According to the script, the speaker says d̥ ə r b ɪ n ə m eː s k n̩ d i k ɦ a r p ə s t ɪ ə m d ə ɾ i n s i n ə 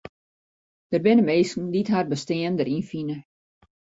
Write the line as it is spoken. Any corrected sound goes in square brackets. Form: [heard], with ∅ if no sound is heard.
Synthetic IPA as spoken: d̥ ə r b ɪ n ə m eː s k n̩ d i [t] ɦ a r [b] ə s t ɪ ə [n] d ə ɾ i n [f] i n ə